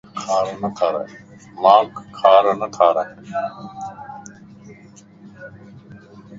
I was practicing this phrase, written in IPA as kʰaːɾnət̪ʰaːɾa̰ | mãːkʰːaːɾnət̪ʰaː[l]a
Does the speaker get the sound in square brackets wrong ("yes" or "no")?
yes